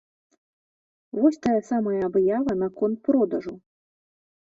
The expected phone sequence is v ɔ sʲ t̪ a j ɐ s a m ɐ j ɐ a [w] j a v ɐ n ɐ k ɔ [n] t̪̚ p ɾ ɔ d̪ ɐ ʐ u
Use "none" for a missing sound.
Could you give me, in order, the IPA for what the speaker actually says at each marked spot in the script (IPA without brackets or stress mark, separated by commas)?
b, n